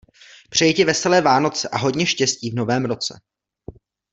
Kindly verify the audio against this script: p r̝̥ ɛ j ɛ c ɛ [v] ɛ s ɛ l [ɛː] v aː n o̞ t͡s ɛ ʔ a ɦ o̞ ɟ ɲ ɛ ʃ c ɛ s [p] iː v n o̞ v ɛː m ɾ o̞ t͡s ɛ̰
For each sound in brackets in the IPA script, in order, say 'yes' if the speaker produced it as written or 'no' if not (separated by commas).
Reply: yes, yes, no